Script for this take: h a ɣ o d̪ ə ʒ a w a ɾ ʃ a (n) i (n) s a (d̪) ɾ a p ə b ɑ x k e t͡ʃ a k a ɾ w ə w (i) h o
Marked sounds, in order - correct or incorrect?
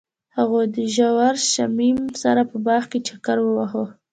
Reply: incorrect: m, incorrect: m, incorrect: none, incorrect: a

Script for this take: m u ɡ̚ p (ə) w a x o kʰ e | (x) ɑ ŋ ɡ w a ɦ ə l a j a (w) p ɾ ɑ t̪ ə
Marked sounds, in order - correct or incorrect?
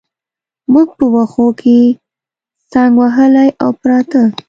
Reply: correct, incorrect: s, correct

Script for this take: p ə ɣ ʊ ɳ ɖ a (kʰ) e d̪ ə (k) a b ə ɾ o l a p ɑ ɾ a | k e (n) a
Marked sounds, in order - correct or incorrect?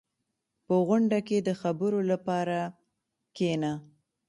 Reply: incorrect: k, incorrect: x, correct

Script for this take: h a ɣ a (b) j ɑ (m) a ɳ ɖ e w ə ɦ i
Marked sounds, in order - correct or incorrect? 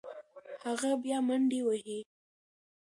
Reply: correct, correct

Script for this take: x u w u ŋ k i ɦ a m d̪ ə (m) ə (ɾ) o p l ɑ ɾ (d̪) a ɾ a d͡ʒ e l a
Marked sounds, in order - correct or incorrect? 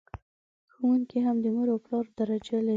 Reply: correct, correct, correct

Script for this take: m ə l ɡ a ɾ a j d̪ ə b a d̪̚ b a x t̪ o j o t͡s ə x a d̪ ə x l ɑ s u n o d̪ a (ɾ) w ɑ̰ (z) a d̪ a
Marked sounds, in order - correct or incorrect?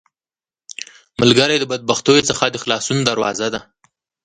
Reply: correct, correct

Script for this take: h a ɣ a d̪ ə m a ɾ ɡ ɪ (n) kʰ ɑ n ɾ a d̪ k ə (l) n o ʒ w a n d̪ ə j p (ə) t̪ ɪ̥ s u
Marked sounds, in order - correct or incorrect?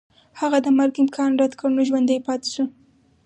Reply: incorrect: m, incorrect: ɽ, incorrect: ɑ

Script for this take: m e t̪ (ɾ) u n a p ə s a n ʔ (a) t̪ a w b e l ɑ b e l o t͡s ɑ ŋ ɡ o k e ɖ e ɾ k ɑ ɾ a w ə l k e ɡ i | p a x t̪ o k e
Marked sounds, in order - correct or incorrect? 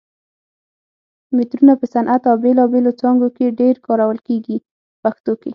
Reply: correct, correct

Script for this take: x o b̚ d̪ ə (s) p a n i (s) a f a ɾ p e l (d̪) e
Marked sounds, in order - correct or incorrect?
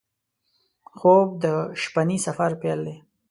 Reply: incorrect: ʃ, correct, correct

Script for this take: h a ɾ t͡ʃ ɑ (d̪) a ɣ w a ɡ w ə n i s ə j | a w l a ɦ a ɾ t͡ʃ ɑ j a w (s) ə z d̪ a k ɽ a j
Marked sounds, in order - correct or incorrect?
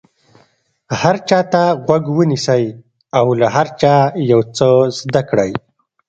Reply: incorrect: t̪, incorrect: t͡s

